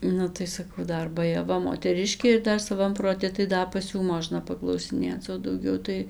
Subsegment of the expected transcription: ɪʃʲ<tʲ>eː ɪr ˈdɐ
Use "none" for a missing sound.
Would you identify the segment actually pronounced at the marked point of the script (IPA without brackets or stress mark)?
kʲ